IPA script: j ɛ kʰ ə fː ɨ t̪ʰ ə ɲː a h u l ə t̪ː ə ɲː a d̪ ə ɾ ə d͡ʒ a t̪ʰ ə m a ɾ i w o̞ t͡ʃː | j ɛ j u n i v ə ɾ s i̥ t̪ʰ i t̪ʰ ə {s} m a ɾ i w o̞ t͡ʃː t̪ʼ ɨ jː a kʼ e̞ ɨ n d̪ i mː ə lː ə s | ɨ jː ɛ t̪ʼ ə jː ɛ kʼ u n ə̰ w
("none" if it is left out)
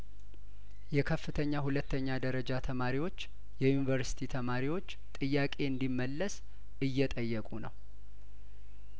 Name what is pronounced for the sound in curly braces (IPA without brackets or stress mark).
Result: none